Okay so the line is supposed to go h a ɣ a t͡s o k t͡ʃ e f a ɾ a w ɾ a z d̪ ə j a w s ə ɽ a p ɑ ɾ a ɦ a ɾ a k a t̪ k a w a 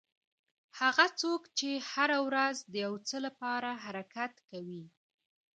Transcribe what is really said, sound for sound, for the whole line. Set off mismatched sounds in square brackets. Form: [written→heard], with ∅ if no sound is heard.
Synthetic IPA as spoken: h a ɣ a t͡s o k t͡ʃ e [f→h] a ɾ a w ɾ a z d̪ ə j a w [s→t͡s] ə [ɽ→l] a p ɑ ɾ a ɦ a ɾ a k a t̪ k a w [a→i]